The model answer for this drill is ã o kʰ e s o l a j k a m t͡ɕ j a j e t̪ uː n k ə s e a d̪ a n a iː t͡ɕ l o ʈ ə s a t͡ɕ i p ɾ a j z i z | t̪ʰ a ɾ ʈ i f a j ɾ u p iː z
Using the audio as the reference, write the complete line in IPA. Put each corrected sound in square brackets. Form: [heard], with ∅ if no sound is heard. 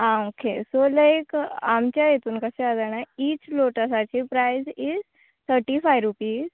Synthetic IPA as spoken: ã o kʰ e s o l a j k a m t͡ɕ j a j e t̪ uː n k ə s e a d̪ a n a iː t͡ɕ l o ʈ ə s a t͡ɕ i p ɾ a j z i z | t̪ʰ [ə] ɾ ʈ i f a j ɾ u p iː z